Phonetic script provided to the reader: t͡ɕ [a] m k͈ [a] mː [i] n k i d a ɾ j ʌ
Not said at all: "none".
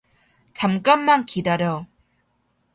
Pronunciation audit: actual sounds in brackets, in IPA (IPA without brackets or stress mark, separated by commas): a, a, a